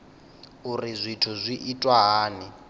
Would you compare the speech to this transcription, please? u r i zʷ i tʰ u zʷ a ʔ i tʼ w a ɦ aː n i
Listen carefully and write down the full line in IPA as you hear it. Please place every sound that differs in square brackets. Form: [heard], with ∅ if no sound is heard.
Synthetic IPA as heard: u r i zʷ i tʰ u zʷ [i] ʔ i tʼ w a ɦ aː n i

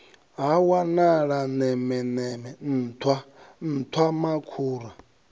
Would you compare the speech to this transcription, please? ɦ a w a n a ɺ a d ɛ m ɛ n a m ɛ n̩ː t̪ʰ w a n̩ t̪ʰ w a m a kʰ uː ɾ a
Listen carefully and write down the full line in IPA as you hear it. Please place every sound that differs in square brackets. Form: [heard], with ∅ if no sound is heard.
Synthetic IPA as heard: ɦ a w a n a ɺ a [n] ɛ m ɛ n [ɛ] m ɛ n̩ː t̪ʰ w a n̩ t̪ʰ w a m a kʰ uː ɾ a

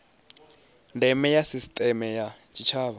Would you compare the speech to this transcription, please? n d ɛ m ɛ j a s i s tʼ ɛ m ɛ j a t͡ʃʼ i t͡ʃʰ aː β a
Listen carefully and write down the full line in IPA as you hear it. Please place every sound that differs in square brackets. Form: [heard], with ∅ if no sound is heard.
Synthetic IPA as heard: n d ɛ m ɛ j a s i s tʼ ɛ m ɛ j a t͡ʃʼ i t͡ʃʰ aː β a

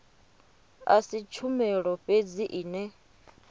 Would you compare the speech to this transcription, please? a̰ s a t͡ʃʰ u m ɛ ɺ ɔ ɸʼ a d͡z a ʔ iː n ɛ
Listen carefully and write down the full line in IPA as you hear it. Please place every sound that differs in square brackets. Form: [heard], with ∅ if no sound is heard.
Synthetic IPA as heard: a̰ s [i] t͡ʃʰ u m ɛ ɺ ɔ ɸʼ [e] d͡z [i] ʔ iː n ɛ

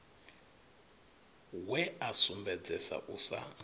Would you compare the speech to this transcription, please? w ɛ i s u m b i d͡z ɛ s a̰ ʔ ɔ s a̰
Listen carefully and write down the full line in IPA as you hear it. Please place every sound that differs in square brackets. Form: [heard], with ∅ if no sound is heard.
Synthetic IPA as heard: w ɛ [a] s u m b [ɛ] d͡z ɛ s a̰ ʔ [u] s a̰

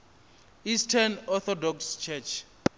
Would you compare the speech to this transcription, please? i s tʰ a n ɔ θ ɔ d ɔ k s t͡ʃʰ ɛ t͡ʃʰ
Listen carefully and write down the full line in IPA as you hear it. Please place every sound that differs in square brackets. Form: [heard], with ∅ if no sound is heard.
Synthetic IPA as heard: i s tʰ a n ɔ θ ɔ d ɔ k s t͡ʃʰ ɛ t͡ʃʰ

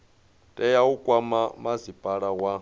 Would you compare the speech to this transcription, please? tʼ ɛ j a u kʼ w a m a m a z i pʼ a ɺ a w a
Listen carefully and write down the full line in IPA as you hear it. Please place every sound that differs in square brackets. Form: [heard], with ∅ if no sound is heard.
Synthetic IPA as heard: tʼ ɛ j a u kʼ w a m a m a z i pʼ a ɺ a w a

